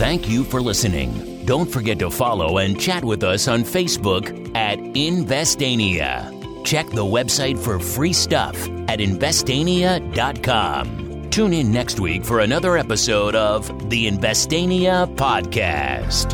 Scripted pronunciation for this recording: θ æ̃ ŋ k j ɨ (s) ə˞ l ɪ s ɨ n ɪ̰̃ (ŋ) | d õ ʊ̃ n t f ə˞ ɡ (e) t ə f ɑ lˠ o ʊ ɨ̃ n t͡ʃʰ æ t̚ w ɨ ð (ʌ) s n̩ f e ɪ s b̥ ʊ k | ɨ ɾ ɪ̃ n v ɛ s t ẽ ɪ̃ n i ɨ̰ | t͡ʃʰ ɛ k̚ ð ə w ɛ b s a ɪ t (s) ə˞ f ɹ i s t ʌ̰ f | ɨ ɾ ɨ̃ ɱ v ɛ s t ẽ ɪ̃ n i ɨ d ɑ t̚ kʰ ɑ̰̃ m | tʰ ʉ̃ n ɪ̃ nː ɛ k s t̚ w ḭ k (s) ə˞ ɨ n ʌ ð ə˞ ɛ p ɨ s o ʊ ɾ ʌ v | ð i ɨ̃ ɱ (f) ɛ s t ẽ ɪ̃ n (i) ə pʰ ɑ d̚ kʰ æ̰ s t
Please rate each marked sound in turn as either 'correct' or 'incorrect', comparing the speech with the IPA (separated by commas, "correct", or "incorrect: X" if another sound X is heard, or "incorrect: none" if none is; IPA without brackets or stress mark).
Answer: incorrect: f, correct, incorrect: ɛ, correct, incorrect: f, incorrect: f, incorrect: v, correct